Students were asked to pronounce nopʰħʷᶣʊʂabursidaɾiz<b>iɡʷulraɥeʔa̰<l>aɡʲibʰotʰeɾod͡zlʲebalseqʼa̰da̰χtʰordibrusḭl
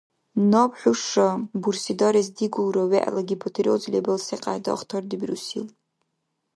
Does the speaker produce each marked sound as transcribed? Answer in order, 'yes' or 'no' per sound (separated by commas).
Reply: no, yes